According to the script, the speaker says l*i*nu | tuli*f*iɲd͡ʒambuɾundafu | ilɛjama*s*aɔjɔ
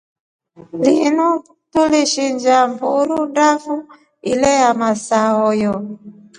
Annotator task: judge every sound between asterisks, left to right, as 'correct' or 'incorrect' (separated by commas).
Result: correct, incorrect, correct